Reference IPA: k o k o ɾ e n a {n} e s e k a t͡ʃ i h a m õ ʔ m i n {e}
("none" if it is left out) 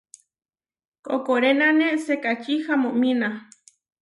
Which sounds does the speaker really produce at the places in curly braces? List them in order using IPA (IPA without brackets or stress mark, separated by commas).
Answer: n, a